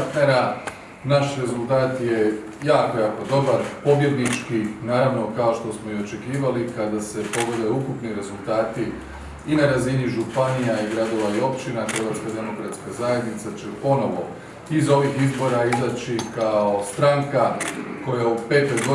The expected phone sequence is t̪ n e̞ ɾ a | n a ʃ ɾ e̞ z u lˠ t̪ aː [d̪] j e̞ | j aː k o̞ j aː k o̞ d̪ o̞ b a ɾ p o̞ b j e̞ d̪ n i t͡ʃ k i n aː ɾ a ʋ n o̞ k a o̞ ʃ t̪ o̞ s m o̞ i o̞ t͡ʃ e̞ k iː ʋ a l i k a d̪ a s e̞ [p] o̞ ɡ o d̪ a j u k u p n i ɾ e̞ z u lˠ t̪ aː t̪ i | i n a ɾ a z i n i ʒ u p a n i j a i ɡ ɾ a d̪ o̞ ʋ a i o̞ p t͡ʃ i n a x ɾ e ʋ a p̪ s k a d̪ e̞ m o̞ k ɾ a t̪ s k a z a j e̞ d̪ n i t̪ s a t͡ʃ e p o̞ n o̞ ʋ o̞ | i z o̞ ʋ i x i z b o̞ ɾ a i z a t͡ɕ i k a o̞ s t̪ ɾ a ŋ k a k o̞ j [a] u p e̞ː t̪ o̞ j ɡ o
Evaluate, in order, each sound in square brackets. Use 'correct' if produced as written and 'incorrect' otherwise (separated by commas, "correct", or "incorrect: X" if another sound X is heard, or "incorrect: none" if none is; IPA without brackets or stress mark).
incorrect: t̪, correct, correct